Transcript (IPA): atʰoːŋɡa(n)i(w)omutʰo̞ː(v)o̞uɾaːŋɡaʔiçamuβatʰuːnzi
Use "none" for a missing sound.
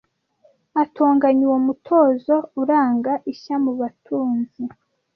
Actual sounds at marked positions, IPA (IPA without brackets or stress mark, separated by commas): ɲ, w, z